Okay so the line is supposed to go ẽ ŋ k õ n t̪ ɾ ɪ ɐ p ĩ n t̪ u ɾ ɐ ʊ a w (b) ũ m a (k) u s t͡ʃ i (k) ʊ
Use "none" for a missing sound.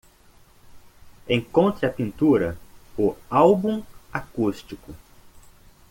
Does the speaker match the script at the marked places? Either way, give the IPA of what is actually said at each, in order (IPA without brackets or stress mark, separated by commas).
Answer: b, k, k